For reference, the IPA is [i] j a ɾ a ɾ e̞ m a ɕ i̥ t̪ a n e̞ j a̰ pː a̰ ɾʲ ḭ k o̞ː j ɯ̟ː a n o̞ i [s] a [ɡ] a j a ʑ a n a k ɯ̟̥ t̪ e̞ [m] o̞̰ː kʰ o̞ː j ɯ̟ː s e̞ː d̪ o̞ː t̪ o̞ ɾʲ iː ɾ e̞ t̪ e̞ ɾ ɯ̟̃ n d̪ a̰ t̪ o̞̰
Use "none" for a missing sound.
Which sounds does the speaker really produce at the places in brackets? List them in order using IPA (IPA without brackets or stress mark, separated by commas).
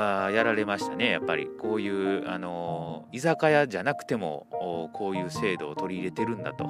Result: a, z, k, m